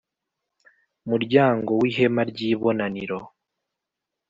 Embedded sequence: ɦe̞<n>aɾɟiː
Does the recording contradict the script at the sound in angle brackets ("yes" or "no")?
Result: yes